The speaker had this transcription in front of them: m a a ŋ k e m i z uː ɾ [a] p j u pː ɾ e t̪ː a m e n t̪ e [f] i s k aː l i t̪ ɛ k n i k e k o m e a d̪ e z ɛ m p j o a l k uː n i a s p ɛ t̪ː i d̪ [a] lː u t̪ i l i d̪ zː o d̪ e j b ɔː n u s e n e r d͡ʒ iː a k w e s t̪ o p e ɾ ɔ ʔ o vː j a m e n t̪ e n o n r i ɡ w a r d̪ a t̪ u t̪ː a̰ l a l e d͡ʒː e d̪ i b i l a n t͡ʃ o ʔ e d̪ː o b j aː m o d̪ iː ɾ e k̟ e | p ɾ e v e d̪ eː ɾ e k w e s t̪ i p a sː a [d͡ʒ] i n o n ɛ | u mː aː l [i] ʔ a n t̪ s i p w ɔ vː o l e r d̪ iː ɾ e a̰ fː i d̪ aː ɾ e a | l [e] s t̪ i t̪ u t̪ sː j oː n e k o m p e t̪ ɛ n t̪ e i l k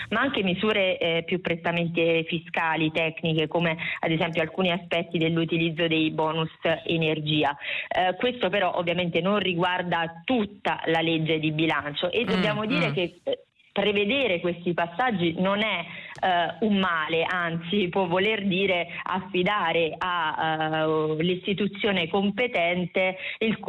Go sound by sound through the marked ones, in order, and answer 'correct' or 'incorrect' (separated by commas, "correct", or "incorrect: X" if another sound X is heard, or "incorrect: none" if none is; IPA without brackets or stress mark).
incorrect: e, correct, incorrect: e, incorrect: d͡ʒː, incorrect: e, incorrect: i